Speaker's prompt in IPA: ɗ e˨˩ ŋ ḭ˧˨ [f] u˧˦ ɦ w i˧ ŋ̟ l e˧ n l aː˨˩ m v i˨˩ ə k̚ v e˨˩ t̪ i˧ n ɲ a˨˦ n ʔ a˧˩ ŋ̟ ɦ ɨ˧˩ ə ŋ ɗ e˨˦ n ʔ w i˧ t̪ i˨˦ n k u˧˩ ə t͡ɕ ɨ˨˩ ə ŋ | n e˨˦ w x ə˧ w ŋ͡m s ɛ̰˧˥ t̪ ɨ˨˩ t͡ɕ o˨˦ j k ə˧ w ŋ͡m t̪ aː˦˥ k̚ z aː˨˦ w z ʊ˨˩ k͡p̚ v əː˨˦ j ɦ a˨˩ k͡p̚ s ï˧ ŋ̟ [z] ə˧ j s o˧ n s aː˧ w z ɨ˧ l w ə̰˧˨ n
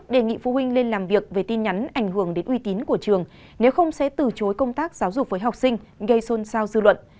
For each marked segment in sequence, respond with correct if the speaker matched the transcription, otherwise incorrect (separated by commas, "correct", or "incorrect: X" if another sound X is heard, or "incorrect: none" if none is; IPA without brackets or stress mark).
correct, incorrect: ɣ